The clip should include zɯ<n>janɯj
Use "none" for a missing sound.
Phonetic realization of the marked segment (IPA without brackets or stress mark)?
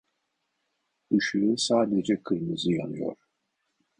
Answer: none